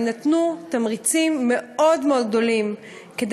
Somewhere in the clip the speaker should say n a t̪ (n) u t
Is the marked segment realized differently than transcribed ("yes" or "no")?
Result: no